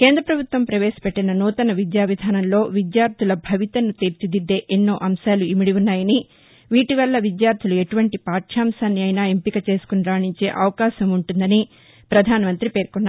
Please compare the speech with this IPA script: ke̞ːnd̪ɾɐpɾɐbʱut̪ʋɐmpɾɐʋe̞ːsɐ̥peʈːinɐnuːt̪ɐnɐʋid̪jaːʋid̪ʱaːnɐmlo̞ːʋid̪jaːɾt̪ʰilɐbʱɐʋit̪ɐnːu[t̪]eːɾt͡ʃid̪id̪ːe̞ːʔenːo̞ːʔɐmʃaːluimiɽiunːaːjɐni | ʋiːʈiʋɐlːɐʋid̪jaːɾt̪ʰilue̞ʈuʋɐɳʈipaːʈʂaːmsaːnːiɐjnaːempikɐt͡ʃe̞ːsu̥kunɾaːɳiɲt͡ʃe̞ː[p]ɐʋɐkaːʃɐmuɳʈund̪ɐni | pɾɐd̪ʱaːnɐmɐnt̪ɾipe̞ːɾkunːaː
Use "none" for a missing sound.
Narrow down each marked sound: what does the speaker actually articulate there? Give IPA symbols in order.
t̪, ʔ

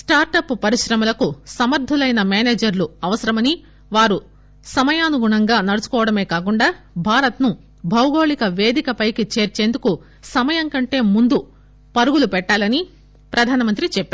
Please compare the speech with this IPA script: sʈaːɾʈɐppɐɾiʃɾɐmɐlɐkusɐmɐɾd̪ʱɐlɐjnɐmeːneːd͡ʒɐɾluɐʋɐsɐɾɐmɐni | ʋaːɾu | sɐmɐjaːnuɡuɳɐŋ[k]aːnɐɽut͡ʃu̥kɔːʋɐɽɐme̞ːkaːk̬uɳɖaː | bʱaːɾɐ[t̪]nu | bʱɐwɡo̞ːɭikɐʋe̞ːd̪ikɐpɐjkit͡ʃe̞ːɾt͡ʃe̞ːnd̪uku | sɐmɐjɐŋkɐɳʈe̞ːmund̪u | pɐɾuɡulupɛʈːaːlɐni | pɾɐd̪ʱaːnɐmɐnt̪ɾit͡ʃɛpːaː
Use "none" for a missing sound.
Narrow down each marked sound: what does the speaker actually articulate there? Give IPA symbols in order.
ɡ, t̪

